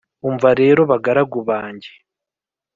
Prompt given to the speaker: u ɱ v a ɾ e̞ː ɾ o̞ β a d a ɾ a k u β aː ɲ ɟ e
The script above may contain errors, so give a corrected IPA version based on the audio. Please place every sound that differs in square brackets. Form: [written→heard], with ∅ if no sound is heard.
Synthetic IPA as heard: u ɱ v a ɾ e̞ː ɾ o̞ β a [d→ɡ] a ɾ a [k→ɡ] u β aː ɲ ɟ e